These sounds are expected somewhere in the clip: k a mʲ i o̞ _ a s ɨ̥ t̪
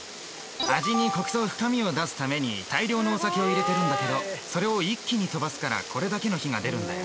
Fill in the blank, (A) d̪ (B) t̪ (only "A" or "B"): A